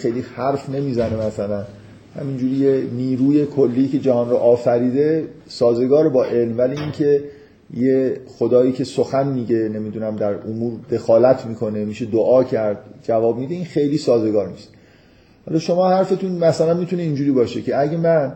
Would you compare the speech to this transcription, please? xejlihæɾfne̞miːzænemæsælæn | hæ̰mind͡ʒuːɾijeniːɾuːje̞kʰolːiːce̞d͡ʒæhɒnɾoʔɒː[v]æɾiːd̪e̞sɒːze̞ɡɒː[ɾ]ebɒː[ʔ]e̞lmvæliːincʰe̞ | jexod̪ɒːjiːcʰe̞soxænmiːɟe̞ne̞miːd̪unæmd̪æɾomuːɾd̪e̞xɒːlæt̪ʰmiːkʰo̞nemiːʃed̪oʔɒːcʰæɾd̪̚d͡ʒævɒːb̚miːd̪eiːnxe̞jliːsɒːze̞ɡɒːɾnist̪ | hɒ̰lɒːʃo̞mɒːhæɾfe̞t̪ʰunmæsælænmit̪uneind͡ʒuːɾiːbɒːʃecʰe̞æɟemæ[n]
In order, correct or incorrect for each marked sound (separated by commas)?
incorrect, correct, correct, correct